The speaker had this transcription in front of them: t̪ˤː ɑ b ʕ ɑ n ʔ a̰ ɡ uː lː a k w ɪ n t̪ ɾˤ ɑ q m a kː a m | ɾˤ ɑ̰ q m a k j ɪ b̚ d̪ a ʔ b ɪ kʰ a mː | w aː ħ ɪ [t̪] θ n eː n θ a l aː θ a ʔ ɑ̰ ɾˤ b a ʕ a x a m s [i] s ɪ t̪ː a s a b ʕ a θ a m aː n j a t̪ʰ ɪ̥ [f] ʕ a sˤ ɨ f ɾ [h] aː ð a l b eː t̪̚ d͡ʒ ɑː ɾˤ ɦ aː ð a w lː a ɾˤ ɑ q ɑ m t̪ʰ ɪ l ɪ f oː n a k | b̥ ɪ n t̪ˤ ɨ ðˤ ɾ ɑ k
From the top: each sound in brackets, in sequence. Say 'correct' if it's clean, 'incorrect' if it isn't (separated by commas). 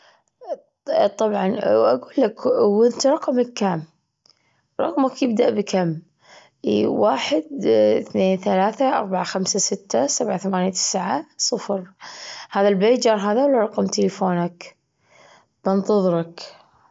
incorrect, incorrect, incorrect, correct